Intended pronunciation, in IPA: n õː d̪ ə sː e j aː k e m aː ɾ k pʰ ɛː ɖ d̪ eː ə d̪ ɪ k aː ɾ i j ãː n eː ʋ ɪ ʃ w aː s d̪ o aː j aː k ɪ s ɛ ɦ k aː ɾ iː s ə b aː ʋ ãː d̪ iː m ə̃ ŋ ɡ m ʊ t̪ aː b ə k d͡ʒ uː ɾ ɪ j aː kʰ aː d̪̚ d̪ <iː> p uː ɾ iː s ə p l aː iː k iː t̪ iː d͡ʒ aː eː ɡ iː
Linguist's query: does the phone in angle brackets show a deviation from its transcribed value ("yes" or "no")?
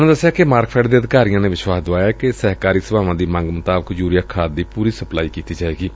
no